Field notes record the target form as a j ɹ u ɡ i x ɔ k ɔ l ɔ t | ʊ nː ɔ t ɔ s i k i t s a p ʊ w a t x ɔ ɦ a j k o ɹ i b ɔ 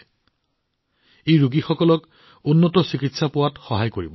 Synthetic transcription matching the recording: e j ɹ u ɡ i x ɔ k ɔ l ɔ k | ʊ nː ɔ t ɔ s i k i t s a p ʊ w a t x ɔ ɦ a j k o ɹ i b ɔ

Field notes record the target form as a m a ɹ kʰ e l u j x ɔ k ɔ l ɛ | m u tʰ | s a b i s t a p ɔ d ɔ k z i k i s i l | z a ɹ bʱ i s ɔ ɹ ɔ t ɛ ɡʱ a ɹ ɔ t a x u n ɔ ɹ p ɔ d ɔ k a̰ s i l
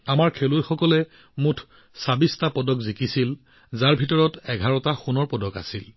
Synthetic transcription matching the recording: a m a ɹ kʰ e l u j x ɔ k ɔ l ɛ | m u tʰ | s a b i s t a p ɔ d ɔ k z i k i s i l | z a ɹ bʱ i t ɔ ɹ ɔ t ɛ ɡʱ a ɹ ɔ t a x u n ɔ ɹ p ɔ d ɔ k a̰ s i l

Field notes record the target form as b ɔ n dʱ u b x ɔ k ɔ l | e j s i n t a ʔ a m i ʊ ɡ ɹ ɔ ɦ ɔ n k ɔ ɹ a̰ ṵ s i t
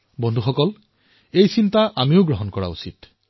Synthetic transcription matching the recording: b ɔ n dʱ u x ɔ k ɔ l | e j s i n t a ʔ a m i ʊ ɡ ɹ ɔ ɦ ɔ n k ɔ ɹ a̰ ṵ s i t

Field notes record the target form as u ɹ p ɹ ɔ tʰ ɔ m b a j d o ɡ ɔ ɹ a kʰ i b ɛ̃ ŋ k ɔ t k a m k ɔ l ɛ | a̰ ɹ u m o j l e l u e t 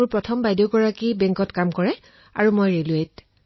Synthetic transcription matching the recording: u ɹ p ɹ ɔ tʰ ɔ m b a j d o ɡ ɔ ɹ a k i b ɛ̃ ŋ k ɔ t k a m k ɔ ɹ ɛ | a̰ ɹ u m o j ɹ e l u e t

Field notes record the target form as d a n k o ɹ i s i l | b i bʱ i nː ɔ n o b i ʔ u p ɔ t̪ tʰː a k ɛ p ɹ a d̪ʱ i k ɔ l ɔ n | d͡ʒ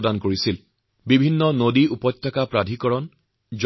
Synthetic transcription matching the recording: d a n k o ɹ i s i l | b i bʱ i nː ɔ n o d i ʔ u p ɔ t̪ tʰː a k a p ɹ a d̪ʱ i k ɔ ɹ ɔ n | d͡ʒ

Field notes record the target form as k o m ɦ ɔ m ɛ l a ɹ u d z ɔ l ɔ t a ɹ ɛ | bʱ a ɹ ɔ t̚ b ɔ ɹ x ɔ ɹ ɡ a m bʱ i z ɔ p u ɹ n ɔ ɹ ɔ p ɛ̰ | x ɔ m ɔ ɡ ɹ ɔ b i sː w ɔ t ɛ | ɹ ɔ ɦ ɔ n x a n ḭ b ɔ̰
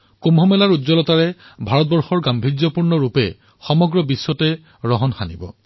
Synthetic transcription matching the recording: k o m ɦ ɔ m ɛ l a ɹ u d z ɔ l ɔ t a ɹ ɛ | bʱ a ɹ ɔ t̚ b ɔ ɹ x ɔ ɹ ɡ a m bʱ i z ɔ p u ɹ n ɔ ɹ u p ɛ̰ | x ɔ m ɔ ɡ ɹ ɔ b i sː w ɔ t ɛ | ɹ ɔ ɦ ɔ n x a n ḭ b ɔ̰

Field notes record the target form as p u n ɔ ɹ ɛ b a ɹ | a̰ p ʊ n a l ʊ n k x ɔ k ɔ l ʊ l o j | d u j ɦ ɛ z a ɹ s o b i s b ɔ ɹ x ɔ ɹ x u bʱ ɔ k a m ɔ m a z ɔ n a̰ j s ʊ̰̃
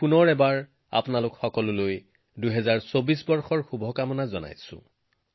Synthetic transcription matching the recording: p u n ɔ ɹ ɛ b a ɹ | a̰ p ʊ n a l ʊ k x ɔ k ɔ l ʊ l o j | d u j ɦ ɛ z a ɹ s o b i s b ɔ ɹ x ɔ ɹ x u bʱ ɔ k a m ɔ n a z ɔ n a̰ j s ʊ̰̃

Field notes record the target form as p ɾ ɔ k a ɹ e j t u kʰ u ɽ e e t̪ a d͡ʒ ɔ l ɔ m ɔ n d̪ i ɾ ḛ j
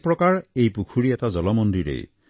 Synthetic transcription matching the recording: p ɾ ɔ k a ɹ e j p u kʰ u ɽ i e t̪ a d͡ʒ ɔ l ɔ m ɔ n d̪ i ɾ ḛ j

